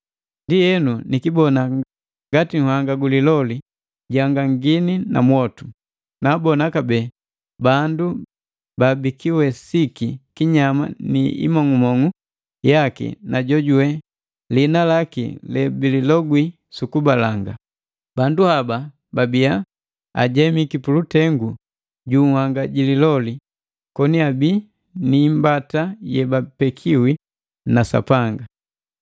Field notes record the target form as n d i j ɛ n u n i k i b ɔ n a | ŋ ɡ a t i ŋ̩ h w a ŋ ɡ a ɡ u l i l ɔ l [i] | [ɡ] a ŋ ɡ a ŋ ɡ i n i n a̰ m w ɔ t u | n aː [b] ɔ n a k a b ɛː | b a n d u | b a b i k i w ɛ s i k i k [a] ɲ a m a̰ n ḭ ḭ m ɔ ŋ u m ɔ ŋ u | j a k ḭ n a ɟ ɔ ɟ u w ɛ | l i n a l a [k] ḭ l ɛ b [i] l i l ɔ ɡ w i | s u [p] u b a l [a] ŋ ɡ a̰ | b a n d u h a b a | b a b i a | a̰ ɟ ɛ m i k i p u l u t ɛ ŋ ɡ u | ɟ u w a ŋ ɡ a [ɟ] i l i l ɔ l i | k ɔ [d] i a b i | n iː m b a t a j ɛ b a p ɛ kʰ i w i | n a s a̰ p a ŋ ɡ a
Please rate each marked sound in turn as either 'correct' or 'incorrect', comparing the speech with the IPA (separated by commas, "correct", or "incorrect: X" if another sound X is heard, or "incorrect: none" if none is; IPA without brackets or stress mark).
correct, incorrect: ɟ, correct, incorrect: i, correct, correct, incorrect: k, correct, correct, incorrect: n